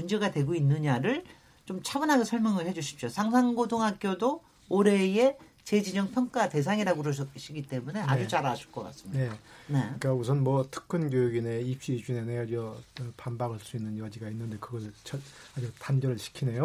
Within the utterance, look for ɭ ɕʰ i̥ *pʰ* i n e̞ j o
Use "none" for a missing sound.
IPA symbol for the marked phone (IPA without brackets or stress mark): kʰ